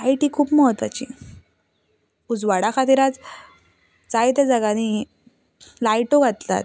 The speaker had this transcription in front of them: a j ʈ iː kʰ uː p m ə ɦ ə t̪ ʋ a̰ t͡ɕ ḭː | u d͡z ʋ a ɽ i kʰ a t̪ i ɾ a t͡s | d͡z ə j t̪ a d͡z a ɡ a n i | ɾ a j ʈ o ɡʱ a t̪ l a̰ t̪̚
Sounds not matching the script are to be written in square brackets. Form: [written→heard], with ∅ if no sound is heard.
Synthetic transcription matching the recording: a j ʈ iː kʰ uː p m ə ɦ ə t̪ ʋ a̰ t͡ɕ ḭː | u d͡z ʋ a ɽ [i→a] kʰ a t̪ i ɾ a t͡s | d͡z [ə→a] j t̪ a d͡z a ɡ a n i | [ɾ→l] a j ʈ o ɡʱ a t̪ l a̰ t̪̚